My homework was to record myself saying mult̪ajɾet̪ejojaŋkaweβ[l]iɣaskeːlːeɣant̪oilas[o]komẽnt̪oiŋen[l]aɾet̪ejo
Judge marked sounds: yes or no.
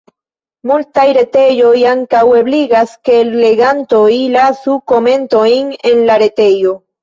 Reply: yes, no, yes

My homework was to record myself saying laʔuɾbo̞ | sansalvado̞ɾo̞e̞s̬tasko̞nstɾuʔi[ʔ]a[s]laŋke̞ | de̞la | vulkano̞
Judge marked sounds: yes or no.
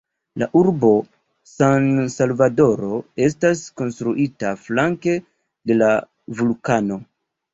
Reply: no, no

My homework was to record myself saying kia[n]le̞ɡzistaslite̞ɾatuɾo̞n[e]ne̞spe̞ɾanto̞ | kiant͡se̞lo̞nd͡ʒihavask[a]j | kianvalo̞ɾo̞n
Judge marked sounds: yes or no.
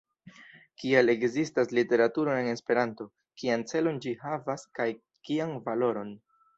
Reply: no, yes, yes

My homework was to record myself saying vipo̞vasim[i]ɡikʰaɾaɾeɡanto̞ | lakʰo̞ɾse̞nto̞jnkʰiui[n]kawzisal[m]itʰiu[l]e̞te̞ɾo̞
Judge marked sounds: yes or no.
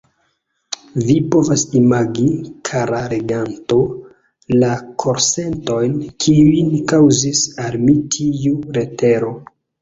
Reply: no, yes, yes, no

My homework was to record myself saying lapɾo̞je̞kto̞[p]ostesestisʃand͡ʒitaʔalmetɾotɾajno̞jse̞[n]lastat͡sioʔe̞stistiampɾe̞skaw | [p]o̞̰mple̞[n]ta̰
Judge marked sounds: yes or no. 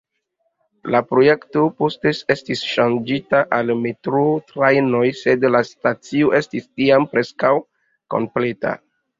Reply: yes, no, no, no

